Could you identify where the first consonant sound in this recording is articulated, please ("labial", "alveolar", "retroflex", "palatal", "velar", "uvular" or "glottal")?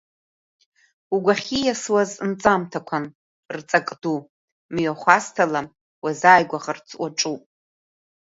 velar